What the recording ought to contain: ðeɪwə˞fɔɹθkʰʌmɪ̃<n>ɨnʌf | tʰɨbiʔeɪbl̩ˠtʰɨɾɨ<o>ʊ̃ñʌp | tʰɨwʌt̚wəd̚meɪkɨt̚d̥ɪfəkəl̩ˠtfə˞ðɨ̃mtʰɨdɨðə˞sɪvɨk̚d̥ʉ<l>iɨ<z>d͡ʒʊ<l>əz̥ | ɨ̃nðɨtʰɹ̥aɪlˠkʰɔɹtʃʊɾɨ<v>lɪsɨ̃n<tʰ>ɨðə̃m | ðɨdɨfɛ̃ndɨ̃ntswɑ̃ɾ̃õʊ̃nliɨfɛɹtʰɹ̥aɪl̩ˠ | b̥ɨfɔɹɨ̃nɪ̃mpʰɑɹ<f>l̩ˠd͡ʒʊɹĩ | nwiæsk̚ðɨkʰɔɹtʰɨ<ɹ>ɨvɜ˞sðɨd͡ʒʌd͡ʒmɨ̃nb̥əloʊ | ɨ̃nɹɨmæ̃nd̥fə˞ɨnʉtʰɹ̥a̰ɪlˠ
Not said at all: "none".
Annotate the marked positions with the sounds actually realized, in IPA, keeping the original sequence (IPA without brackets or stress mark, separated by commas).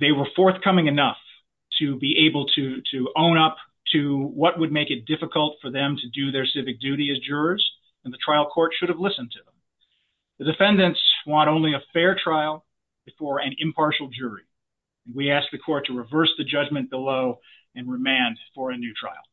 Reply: ŋ, õ, ɾ, z, ɹ, v, tʰ, ʃ, ɹ